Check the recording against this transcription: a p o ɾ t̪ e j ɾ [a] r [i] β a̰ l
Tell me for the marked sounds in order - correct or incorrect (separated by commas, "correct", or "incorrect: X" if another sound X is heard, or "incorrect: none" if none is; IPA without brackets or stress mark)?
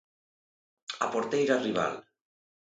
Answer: correct, correct